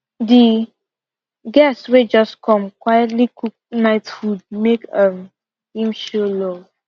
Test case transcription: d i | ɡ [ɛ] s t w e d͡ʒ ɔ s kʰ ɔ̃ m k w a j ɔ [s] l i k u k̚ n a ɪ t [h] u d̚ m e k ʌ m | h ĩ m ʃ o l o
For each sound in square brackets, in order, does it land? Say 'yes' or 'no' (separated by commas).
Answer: yes, no, no